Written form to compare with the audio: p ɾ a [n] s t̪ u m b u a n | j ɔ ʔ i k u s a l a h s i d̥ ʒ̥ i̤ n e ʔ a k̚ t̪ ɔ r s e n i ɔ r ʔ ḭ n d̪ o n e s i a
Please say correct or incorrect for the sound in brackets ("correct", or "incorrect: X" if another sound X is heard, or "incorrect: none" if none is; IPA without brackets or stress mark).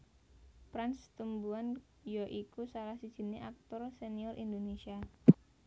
correct